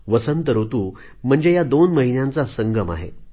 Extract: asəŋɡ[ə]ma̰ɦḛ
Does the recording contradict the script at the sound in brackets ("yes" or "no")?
no